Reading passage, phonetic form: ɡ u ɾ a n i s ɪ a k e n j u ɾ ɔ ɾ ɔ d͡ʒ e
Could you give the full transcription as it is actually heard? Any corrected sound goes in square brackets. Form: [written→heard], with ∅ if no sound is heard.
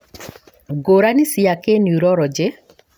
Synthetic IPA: ɡ [u→o] ɾ a n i s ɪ a k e n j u ɾ ɔ ɾ ɔ d͡ʒ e